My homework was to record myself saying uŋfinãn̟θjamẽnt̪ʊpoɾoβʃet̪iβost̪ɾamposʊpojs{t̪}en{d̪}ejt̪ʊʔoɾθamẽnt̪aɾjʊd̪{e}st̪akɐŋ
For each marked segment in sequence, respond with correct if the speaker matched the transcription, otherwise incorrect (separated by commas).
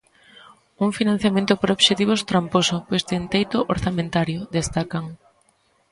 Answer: correct, incorrect, correct